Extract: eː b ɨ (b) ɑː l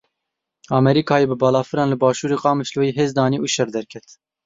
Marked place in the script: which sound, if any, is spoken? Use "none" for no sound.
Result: b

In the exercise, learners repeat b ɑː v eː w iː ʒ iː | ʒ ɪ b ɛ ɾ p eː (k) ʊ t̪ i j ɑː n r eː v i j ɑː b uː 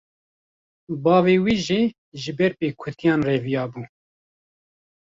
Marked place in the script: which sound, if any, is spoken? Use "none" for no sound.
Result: kʰ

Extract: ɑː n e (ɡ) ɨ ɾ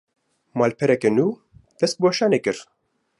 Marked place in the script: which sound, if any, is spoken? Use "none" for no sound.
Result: k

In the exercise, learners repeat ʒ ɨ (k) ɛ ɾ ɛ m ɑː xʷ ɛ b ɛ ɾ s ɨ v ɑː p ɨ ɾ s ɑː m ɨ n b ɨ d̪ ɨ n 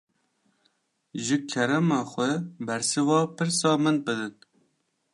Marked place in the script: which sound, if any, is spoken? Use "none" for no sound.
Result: kʰ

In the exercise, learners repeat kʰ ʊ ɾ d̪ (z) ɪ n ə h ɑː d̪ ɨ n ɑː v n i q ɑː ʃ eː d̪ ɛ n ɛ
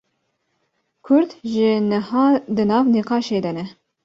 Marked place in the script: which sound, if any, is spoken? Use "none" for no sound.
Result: ʒ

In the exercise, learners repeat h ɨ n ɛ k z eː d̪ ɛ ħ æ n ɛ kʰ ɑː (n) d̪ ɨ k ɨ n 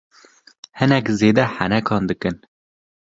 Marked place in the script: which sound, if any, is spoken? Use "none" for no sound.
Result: n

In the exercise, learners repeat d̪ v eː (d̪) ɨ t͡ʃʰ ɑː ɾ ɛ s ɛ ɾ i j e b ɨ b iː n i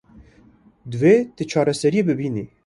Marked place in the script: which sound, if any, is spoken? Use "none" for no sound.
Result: t̪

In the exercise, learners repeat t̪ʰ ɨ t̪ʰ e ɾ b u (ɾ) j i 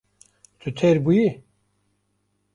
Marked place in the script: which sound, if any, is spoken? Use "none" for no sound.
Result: none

